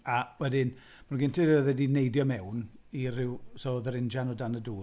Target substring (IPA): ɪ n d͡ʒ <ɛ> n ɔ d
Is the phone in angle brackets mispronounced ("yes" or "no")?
yes